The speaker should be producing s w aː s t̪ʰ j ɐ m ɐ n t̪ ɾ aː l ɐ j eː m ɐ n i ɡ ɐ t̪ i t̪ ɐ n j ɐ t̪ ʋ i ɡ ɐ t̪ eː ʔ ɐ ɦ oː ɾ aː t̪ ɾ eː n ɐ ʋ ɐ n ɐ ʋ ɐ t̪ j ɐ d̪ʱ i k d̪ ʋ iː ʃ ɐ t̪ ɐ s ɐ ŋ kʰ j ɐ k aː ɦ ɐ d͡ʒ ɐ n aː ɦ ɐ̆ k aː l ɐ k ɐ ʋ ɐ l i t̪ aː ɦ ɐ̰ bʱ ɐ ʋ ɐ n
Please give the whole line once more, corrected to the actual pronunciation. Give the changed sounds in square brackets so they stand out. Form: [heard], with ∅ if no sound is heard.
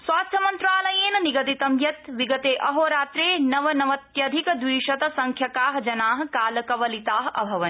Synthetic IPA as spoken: s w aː s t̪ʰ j ɐ m ɐ n t̪ ɾ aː l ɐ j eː [n] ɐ n i ɡ ɐ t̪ i t̪ ɐ [m] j ɐ t̪ ʋ i ɡ ɐ t̪ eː ʔ ɐ ɦ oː ɾ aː t̪ ɾ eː n ɐ ʋ ɐ n ɐ ʋ ɐ t̪ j ɐ d̪ʱ i k d̪ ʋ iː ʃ ɐ t̪ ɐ s ɐ ŋ kʰ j ɐ k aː ɦ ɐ d͡ʒ ɐ n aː ɦ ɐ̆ k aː l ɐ k ɐ ʋ ɐ l i t̪ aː ɦ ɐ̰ bʱ ɐ ʋ ɐ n